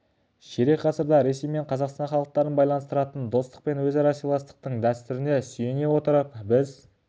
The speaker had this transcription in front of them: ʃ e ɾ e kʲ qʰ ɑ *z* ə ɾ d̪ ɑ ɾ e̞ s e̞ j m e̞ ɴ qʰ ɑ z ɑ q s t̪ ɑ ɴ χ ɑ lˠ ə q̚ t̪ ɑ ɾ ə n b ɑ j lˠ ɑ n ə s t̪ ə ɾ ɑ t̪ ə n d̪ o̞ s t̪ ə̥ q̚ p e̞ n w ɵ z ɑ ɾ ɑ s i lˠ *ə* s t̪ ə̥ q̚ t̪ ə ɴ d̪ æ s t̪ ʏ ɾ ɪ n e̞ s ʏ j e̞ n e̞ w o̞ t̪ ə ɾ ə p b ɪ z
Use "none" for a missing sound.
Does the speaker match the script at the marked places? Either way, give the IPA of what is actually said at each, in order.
s, ɑ

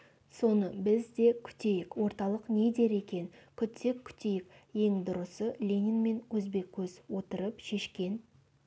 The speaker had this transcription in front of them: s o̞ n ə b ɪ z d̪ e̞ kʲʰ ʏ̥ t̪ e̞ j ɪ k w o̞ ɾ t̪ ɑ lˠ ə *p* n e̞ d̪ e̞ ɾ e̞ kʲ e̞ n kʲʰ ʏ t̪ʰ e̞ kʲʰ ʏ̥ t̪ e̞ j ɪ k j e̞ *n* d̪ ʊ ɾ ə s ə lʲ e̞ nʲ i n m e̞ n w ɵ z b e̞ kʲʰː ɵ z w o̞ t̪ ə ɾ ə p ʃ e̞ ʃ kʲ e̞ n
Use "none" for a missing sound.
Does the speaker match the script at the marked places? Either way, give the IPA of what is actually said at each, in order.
q, ŋ

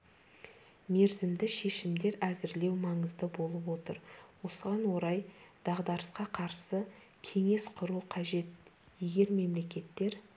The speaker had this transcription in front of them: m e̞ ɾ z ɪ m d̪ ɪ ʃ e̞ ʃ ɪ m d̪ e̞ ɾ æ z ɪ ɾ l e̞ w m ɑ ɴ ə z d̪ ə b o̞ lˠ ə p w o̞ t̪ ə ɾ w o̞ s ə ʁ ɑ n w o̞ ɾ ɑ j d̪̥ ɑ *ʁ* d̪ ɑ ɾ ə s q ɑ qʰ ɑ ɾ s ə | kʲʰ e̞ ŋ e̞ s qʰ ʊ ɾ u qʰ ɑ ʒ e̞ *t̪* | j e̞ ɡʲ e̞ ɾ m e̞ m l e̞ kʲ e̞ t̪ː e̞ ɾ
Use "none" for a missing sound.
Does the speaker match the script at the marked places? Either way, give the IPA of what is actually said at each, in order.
ʁ, t̪

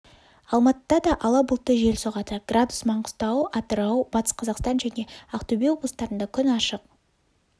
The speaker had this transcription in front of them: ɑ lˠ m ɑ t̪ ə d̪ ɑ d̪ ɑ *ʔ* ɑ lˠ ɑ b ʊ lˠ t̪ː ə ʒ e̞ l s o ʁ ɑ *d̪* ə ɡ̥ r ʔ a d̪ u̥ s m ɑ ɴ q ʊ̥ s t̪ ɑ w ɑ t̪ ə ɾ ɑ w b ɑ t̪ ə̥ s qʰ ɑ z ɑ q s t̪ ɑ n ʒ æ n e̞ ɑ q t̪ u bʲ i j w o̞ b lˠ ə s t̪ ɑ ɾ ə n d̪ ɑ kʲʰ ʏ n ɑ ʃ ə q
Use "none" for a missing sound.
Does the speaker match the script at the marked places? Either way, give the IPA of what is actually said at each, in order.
ʔ, t̪

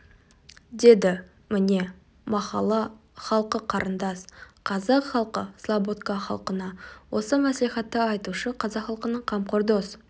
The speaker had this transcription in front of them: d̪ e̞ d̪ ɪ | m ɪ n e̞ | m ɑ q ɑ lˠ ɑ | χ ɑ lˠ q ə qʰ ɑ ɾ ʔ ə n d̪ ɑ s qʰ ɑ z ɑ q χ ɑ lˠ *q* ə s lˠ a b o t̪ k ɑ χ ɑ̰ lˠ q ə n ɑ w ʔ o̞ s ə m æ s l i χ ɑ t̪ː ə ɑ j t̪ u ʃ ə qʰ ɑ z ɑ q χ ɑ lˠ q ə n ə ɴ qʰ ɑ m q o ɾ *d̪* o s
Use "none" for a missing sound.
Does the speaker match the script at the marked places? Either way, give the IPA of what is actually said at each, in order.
q, d̪

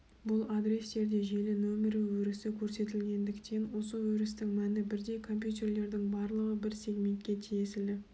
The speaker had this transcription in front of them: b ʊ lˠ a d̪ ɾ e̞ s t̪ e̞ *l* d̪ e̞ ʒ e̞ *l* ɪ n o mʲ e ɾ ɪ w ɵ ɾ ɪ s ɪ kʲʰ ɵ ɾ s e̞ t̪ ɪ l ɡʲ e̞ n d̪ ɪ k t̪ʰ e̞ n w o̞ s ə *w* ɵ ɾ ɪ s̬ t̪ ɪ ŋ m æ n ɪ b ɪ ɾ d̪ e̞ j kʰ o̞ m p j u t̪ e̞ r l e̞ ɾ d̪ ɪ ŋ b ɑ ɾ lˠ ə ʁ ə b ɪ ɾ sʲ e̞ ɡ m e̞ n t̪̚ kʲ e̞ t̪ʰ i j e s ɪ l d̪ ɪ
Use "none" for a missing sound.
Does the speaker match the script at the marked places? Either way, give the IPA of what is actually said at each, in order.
ɾ, l, w

